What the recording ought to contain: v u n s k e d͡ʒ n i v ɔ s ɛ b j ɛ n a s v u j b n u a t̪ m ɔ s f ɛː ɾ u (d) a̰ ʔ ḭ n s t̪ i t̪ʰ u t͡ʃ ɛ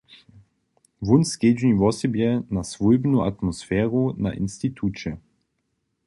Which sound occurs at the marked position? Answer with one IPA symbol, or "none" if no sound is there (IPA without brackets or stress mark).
n